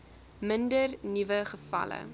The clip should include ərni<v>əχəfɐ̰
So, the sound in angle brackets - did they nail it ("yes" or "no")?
yes